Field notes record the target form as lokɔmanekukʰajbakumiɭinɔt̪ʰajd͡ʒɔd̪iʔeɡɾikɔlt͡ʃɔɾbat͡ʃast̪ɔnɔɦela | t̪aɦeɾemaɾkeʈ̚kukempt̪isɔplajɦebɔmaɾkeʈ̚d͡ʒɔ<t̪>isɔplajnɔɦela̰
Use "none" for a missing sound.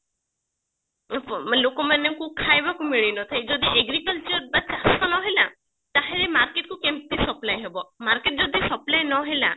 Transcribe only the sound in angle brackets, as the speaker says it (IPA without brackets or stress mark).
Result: d̪